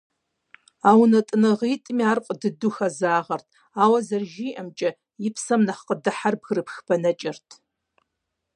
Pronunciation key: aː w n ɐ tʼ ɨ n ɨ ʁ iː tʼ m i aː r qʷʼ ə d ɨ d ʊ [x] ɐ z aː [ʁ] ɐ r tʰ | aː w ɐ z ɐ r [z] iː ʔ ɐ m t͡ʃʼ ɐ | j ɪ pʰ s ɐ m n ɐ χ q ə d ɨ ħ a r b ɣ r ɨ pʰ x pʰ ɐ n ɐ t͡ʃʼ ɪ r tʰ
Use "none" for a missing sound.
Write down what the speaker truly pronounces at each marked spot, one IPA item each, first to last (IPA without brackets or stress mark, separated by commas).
x, ʁ, ʒ